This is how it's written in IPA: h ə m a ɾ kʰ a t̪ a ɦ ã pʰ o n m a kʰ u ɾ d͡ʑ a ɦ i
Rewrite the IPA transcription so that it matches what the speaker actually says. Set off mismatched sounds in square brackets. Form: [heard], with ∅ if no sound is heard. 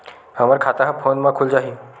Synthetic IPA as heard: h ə m a ɾ kʰ a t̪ a ɦ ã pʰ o n m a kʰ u [l] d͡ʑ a ɦ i